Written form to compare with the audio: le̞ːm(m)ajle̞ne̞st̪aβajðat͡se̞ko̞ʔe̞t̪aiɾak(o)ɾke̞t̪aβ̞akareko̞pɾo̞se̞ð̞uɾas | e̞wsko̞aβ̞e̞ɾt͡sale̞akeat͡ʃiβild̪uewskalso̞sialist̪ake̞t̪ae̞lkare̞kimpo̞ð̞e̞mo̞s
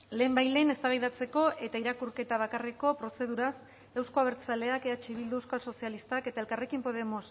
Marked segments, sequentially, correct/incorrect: incorrect, incorrect

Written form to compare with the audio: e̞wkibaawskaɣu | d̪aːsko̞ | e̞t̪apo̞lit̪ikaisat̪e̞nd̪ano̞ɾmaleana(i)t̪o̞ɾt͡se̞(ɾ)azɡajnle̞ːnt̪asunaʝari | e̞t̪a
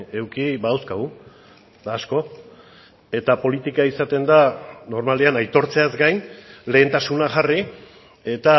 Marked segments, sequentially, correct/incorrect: incorrect, incorrect

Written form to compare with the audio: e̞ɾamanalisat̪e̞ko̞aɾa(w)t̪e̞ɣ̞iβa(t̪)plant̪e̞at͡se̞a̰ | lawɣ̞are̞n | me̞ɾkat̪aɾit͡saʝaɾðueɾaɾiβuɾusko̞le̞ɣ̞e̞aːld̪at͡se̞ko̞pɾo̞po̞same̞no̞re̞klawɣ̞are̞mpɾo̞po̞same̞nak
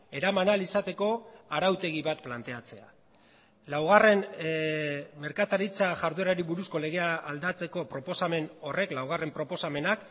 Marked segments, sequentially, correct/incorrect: correct, correct

